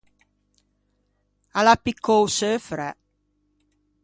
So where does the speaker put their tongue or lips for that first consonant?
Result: tongue tip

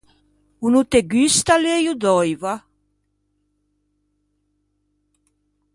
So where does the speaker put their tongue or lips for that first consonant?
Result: tongue tip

